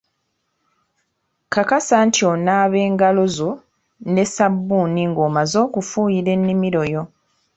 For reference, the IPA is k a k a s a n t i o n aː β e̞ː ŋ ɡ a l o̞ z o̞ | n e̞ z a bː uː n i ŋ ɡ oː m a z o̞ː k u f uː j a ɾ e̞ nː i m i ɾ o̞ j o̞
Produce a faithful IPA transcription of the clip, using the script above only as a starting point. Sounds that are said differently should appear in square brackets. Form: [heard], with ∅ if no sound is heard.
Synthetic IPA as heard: k a k a s a n t i o n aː β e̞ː ŋ ɡ a l o̞ z o̞ | n e̞ [s] a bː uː n i ŋ ɡ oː m a z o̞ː k u f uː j [i] ɾ e̞ nː i m i ɾ o̞ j o̞